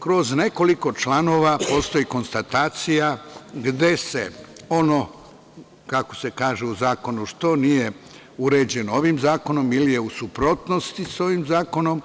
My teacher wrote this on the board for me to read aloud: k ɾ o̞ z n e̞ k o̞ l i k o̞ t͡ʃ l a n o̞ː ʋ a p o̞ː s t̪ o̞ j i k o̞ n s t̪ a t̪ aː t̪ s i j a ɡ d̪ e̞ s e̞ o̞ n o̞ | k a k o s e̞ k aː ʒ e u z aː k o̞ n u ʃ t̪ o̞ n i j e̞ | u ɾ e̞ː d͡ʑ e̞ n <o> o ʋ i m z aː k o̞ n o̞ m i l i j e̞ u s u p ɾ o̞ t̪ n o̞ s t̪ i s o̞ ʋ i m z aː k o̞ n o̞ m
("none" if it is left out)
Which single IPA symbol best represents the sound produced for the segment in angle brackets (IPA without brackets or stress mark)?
o